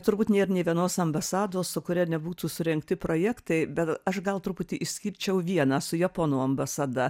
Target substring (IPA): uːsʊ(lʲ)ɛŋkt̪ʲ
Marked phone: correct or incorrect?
incorrect